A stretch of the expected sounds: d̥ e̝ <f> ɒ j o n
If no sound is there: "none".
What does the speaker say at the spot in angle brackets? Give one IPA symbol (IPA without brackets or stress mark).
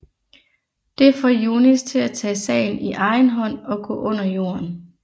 f